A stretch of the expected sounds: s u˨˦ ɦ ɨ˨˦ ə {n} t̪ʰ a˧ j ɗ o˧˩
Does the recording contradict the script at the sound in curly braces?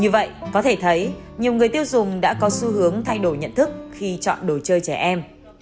yes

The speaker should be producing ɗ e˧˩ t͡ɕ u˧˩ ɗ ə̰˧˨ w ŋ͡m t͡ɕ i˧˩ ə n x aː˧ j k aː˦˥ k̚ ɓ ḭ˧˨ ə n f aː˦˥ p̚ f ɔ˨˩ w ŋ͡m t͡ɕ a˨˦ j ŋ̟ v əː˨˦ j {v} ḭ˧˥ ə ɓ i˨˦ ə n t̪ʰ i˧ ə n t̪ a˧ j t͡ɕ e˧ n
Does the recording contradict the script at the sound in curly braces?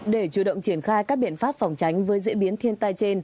yes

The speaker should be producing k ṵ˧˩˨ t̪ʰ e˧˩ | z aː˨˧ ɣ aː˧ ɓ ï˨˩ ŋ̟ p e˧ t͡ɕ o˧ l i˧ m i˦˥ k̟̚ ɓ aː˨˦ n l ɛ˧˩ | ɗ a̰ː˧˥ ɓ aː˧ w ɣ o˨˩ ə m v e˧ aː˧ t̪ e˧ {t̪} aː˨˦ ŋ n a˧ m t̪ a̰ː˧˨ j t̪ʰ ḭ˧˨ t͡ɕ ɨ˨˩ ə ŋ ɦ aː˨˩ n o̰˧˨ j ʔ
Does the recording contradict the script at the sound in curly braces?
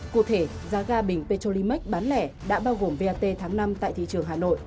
yes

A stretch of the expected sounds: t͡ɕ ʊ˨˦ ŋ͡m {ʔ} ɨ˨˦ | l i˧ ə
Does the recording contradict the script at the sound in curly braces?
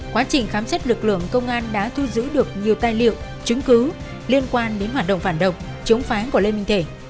yes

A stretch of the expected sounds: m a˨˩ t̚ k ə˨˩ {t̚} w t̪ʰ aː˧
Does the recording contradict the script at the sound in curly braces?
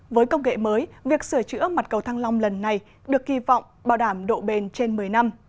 yes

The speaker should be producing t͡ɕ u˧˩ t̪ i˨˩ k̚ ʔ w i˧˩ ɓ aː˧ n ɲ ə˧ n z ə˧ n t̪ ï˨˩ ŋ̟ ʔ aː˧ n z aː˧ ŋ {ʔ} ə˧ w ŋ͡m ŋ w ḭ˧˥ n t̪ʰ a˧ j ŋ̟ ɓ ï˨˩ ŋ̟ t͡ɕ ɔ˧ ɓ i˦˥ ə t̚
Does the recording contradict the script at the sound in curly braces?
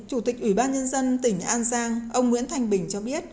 no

